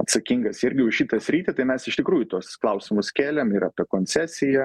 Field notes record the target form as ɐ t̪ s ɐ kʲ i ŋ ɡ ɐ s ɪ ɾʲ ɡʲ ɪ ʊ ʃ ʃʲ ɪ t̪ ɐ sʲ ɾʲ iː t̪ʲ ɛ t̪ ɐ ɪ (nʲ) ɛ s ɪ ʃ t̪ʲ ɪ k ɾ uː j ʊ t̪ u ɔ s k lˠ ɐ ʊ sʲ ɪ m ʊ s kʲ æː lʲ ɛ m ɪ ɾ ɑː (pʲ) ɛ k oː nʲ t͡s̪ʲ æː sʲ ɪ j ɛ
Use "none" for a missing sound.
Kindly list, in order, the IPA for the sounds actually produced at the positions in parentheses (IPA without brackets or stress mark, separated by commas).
mʲ, pʲ